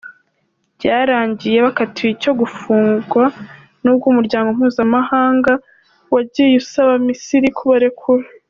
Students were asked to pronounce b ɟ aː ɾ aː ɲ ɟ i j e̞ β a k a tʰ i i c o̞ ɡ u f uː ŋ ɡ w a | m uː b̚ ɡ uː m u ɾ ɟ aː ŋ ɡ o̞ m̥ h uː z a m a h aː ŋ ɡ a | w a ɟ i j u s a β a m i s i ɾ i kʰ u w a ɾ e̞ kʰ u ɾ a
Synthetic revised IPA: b ɟ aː ɾ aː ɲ ɟ i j e̞ β a k a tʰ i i c o̞ ɡ u f uː ŋ ɡ w a | n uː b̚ ɡ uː m u ɾ ɟ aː ŋ ɡ o̞ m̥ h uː z a m a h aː ŋ ɡ a | w a ɟ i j u s a β a m i s i ɾ i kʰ u β a ɾ e̞ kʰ u ɾ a

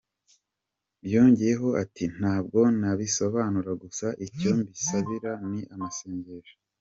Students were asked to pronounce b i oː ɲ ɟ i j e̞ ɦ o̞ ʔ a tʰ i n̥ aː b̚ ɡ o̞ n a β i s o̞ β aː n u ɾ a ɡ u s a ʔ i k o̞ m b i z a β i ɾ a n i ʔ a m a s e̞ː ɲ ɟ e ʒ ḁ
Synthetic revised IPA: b j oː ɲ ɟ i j e̞ ɦ o̞ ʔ a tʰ i n̥ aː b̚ ɡ o̞ n a β i s o̞ β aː n u ɾ a ɡ u s a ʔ i c o̞ m b i s a β i ɾ a n i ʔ a m a s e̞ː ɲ ɟ e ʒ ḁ

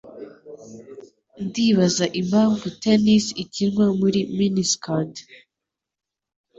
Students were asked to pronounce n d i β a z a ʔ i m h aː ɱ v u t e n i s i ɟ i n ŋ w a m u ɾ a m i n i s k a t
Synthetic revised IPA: n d i β a z a ʔ i m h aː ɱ v u t e n i s i c i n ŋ w a m u ɾ i m i n i s k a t

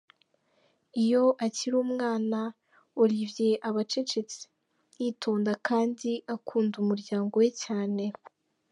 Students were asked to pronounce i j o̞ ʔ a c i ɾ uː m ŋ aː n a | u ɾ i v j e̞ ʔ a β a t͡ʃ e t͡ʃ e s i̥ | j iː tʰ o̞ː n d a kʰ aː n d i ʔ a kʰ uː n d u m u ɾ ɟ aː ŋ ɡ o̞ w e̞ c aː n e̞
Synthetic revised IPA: i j o̞ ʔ a c i ɾ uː m ŋ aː n a | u ɾ i v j e̞ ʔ a β a t͡ʃ e t͡ʃ e t͡s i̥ | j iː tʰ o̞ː n d a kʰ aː n d i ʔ a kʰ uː n d u m u ɾ ɟ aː ŋ ɡ o̞ w e̞ c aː n e̞

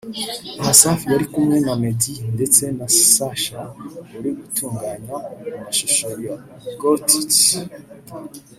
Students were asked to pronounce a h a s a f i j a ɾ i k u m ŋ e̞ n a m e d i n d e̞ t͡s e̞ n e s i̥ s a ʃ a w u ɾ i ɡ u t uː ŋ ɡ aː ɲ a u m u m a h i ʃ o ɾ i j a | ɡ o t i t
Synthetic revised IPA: a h a s a f i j a ɾ i k u m ŋ e̞ n a m e d i n d e̞ t͡s e̞ n a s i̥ s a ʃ a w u ɾ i ɡ u t uː ŋ ɡ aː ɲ a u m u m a ʃ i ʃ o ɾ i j a | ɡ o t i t

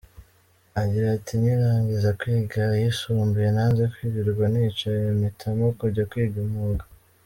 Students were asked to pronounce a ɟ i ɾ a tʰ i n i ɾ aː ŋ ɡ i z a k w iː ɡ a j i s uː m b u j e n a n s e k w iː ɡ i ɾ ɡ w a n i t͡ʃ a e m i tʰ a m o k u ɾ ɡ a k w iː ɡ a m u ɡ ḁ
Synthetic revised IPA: a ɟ i ɾ a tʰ i n i ɾ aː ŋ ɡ i z a k w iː ɡ a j i s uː m b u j e n a n z e k w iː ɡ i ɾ ɡ w a n i t͡ʃ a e m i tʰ a m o k u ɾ ɟ a k w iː ɡ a m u ɡ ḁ

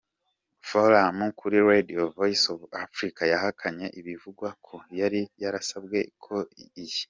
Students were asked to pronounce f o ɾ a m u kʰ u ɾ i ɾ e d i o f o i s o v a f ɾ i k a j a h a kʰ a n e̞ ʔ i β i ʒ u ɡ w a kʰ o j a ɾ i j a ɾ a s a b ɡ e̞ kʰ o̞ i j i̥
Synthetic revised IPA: f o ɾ a m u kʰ u ɾ i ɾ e d i o v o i s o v a f ɾ i k a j a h a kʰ a ɲ e̞ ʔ i β i v u ɡ w a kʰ o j a ɾ i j a ɾ a s a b ɡ e̞ kʰ o̞ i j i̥

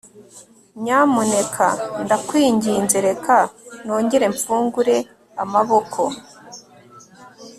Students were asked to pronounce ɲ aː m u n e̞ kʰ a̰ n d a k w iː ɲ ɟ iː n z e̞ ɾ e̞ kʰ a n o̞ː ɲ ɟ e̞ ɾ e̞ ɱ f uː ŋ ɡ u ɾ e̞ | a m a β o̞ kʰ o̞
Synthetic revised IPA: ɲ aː m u n e̞ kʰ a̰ n d a k w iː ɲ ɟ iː n z e̞ ɾ e̞ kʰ a n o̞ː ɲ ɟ e̞ ɾ e̞ ɱ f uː ŋ ɡ u ɾ e̞ | a m a β o̞ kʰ o̞

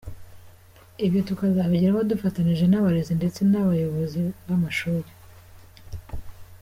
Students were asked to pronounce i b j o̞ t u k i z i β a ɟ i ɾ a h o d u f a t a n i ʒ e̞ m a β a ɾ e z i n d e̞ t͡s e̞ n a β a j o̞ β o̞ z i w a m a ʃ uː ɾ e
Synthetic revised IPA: i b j o̞ t u k a z a β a ɟ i ɾ a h o d u f a t a n i ʒ e̞ n a β a ɾ e z i n d e̞ t͡s e̞ n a β a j o̞ β o̞ z i β a m a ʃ uː ɾ e

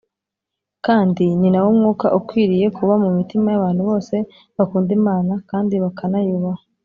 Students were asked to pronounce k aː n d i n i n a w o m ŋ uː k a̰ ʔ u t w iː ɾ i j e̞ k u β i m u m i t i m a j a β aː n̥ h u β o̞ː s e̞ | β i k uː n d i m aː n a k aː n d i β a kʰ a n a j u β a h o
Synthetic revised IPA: k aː n d i n i n a w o m ŋ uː k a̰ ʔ u k w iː ɾ i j e̞ k u β a m u m i t i m a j a β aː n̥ h u β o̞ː s e̞ | β a k uː n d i m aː n a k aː n d i β a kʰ a n a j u β a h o

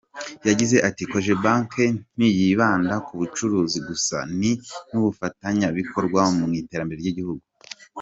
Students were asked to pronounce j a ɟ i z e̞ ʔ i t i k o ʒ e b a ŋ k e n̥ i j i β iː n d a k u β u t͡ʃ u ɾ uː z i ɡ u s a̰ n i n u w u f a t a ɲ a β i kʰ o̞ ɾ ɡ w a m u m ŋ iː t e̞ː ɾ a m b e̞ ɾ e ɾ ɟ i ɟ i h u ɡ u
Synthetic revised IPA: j a ɟ i z e̞ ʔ a t i k o ʒ e b a ŋ k e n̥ i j i β aː n d a k u β u t͡ʃ u ɾ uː z i ɡ u s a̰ n i n u β u f a t a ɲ a β i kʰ o̞ ɾ ɡ w a m u m ŋ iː t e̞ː ɾ a m b e̞ ɾ e ɾ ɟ i ɟ i h u ɡ u

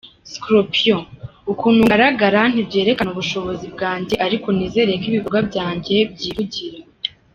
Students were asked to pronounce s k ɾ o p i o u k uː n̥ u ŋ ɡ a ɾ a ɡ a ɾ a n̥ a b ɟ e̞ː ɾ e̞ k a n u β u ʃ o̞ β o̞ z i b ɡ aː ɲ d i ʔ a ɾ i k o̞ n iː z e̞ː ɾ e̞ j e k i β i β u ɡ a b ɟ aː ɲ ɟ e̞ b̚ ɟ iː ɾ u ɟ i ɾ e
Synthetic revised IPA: s k ɾ o p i o u k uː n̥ u ŋ ɡ a ɾ a ɡ a ɾ a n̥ i b ɟ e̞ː ɾ e̞ k a n u β u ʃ o̞ β o̞ z i b ɡ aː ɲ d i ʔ a ɾ i k o̞ n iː z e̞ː ɾ e̞ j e k i β i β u ɡ a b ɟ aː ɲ ɟ e̞ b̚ ɟ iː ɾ u ɟ i ɾ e

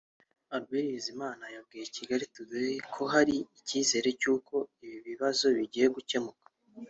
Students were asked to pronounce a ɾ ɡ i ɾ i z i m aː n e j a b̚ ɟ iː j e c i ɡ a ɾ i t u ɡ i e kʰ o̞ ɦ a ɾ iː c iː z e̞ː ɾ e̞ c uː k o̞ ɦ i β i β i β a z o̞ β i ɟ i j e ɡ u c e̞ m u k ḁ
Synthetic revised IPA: a ɾ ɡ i ɾ i z i m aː n a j a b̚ ɡ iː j e c i ɡ a ɾ i t u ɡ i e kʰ o̞ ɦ a ɾ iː c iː z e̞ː ɾ e̞ c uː k o̞ i β i β i β a z o̞ β i ɟ i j e ɡ u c e̞ m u k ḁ

